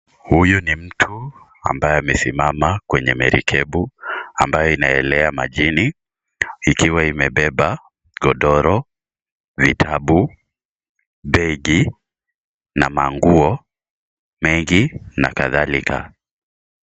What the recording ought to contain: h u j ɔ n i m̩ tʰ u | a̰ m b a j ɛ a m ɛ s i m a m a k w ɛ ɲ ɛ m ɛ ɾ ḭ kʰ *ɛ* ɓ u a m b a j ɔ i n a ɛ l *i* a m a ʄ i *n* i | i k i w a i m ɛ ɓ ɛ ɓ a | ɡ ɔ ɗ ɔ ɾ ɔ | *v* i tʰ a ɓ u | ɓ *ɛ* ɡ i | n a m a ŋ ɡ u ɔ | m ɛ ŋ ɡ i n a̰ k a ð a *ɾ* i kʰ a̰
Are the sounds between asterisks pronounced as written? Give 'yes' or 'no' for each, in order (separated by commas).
yes, no, yes, yes, yes, no